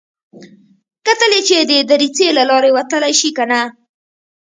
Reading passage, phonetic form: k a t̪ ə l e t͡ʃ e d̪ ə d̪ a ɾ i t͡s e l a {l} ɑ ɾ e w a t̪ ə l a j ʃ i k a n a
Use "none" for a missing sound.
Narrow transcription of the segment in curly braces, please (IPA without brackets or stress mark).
l